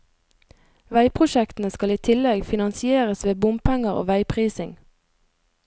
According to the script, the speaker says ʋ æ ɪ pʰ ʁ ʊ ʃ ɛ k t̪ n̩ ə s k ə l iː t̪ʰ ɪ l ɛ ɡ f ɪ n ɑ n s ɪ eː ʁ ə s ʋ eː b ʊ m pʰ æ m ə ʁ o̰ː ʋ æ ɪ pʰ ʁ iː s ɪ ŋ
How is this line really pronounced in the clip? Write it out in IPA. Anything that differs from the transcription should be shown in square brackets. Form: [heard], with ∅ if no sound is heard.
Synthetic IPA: ʋ æ ɪ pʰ ʁ ʊ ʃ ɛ k t̪ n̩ ə s k [ɑ] l iː t̪ʰ ɪ l ɛ ɡ f ɪ n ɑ n s ɪ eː ʁ ə s ʋ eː b ʊ m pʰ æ [ŋ] ə ʁ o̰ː ʋ æ ɪ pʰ ʁ iː s ɪ ŋ